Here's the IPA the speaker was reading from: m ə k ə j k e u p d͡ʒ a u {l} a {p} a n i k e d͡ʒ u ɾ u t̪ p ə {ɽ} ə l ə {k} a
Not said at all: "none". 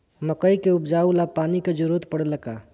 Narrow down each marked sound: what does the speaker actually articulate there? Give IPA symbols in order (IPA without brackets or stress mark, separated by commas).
l, p, ɽ, k